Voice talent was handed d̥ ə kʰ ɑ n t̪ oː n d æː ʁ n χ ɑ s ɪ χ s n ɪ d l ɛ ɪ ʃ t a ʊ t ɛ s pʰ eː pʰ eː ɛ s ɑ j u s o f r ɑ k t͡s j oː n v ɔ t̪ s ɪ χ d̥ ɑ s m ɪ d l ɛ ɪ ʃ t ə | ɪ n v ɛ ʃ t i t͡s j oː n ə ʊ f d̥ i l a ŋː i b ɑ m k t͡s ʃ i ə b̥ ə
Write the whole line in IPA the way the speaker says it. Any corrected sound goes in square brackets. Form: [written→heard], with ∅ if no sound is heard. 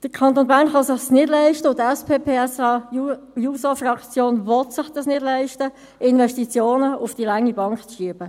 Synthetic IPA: d̥ ə kʰ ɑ n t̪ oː n [d→b] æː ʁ n χ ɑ s ɪ χ s n ɪ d l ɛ ɪ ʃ t [a→ə] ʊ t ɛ s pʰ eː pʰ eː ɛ s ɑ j u s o f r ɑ k t͡s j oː n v ɔ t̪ s ɪ χ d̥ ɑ s [m→n] ɪ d l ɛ ɪ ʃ t ə | ɪ n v ɛ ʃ t i t͡s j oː n ə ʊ f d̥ i l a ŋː i b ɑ [m→ŋ] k t͡s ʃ i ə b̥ ə

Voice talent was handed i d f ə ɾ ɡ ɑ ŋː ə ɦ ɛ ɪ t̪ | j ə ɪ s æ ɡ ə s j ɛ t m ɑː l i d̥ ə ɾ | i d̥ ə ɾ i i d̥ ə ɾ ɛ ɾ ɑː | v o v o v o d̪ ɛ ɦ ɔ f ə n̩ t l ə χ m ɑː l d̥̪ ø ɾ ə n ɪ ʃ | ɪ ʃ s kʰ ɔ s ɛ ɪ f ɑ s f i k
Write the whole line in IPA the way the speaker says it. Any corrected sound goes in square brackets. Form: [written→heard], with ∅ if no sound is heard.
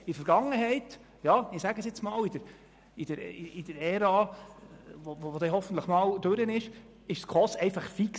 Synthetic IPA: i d f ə ɾ ɡ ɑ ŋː ə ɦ ɛ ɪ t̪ | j [ə→ɑ] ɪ s æ ɡ ə s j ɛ [t→t͡s] m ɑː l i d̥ ə ɾ | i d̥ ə ɾ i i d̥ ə ɾ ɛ ɾ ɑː | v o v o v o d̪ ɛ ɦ ɔ f ə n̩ t l ə χ m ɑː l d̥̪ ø ɾ ə n ɪ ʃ | ɪ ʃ s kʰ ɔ s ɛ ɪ f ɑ [s→χ] f i k

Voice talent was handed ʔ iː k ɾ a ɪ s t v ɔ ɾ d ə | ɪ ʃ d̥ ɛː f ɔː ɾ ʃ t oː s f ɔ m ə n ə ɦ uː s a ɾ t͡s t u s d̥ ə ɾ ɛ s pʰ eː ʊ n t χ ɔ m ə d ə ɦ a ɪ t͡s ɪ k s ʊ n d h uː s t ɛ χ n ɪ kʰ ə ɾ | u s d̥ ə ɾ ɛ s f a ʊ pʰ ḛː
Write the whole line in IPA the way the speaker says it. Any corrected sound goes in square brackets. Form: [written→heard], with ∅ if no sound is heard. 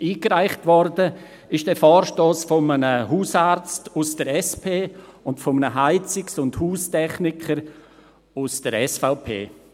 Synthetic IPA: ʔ iː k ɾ a ɪ [s→χ] t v ɔ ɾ d ə | ɪ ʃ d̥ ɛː f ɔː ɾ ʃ t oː s f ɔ m ə n ə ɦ uː s a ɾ t͡s t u s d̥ ə ɾ ɛ s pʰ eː ʊ n t [χ→f] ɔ m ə [d→n] ə ɦ a ɪ t͡s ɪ k s ʊ n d h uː s t ɛ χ n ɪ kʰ ə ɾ | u s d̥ ə ɾ ɛ s f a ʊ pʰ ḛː

